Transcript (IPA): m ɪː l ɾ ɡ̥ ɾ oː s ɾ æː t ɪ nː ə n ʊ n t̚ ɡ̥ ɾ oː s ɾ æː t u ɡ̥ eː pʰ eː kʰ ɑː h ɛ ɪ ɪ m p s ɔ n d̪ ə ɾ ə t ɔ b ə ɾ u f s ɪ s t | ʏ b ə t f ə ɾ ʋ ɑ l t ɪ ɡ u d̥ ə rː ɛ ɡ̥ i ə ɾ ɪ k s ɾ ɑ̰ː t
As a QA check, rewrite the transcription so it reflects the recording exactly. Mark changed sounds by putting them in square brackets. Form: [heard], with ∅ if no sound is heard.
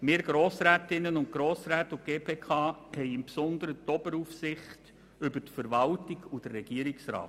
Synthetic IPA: m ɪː [∅] ɾ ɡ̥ ɾ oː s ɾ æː t ɪ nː ə n ʊ n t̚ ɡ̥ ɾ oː s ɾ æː t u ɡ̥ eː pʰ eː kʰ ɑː h ɛ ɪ ɪ m p s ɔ n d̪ ə ɾ ə t ɔ b ə ɾ u f s ɪ [χ] t | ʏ b ə t f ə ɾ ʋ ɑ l t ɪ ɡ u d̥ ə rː ɛ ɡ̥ i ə ɾ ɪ k s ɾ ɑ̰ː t

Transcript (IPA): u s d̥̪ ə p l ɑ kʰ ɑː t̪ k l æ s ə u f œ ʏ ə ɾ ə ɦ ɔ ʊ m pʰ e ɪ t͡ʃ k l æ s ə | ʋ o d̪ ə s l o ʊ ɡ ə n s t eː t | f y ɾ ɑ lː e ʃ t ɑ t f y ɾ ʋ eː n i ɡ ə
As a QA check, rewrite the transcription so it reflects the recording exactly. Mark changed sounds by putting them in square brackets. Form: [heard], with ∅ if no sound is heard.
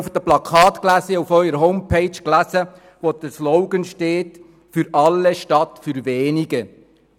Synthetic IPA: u [f] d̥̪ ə p l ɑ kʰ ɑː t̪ k l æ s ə u f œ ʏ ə ɾ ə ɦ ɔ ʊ m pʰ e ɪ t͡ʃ k l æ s ə | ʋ o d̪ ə s l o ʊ ɡ ə n [ʃ] t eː t | f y ɾ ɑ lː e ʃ t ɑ t f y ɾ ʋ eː n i ɡ ə

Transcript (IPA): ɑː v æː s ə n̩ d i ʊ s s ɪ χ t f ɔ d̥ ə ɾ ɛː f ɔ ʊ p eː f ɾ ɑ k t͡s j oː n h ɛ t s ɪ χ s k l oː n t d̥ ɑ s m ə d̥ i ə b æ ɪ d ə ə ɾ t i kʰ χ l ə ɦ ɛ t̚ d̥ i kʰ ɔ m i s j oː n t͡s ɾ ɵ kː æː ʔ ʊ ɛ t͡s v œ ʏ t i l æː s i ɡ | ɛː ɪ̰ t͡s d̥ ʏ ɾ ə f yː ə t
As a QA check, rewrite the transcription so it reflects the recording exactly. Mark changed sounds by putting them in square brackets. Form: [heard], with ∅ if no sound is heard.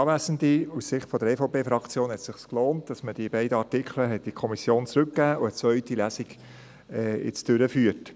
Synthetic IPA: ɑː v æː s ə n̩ d i [u] s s ɪ χ t f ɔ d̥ ə ɾ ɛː f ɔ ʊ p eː f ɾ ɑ k t͡s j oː n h ɛ t s ɪ χ s k l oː n t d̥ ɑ s m ə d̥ i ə b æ ɪ d ə [ɑ] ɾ t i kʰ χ l ə ɦ ɛ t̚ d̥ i kʰ ɔ m i s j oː n t͡s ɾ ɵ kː æː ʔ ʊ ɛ t͡s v œ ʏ t i l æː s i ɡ | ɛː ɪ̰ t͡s d̥ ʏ ɾ ə f yː ə t

